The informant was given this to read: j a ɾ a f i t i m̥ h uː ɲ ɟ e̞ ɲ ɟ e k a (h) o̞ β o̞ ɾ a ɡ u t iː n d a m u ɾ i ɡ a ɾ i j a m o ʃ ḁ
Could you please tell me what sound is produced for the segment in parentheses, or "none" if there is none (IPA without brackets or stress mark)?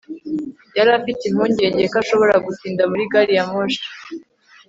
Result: ʃ